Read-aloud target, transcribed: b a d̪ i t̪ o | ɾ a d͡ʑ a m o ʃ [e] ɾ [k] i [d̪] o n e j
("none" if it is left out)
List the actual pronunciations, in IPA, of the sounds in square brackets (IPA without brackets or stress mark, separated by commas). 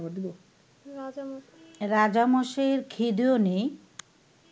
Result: e, kʰ, d̪